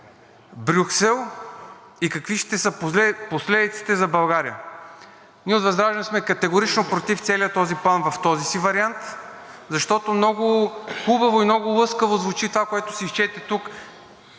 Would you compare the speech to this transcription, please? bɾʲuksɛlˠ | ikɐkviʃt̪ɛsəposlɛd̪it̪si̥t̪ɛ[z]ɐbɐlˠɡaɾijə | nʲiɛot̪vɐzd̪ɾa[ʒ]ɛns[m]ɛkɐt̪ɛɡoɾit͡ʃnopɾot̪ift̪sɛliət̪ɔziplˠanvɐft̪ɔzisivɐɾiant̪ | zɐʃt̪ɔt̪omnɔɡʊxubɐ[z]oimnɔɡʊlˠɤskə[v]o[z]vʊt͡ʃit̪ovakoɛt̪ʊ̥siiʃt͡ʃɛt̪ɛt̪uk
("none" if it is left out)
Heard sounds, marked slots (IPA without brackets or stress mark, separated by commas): z, ʒ, m, v, v, z